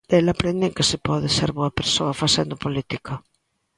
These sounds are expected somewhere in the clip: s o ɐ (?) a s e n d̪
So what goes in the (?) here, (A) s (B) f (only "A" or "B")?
B